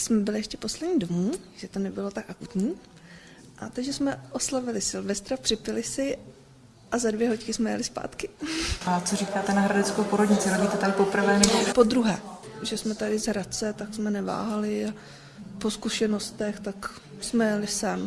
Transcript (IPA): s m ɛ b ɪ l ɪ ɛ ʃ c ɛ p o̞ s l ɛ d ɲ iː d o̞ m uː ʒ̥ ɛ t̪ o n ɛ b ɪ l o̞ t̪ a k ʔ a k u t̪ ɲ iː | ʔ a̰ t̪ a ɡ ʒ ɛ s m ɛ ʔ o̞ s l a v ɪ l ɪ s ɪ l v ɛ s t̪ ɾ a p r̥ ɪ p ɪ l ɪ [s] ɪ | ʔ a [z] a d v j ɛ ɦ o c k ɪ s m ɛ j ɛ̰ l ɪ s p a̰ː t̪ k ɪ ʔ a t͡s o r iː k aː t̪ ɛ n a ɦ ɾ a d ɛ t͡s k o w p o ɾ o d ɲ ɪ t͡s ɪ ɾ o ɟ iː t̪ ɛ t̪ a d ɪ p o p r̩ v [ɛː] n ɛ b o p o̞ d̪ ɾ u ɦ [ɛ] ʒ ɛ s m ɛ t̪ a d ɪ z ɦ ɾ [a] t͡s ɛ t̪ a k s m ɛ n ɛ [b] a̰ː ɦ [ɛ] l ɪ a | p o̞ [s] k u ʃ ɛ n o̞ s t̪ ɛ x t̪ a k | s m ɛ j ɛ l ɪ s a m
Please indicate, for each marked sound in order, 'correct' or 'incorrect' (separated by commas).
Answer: correct, correct, correct, incorrect, correct, incorrect, incorrect, correct